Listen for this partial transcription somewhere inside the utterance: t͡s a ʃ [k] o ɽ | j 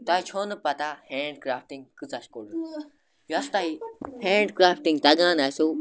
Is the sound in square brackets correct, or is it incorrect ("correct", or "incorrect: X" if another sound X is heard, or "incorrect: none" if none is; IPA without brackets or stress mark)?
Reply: correct